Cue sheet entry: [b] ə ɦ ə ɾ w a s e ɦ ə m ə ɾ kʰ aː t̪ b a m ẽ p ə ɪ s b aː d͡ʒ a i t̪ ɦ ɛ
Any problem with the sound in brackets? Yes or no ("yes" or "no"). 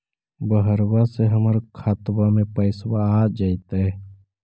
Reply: no